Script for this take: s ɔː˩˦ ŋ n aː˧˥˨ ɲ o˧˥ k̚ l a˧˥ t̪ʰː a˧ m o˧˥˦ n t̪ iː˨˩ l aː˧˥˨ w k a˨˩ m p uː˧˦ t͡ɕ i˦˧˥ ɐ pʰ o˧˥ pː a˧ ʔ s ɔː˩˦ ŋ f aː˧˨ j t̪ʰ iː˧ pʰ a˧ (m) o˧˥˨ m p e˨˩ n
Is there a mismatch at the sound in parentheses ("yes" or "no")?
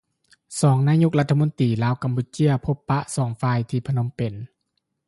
yes